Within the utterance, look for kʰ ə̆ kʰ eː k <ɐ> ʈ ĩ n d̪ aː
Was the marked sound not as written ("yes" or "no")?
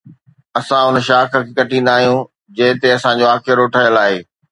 no